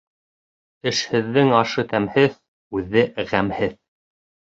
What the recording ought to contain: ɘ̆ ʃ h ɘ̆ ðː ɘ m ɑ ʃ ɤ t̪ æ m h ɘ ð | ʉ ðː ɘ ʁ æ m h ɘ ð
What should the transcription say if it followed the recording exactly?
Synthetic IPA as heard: ɘ̆ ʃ h ɘ̆ ðː ɘ ŋ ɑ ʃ ɤ t̪ æ m h ɘ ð | ʉ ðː ɘ ʁ æ m h ɘ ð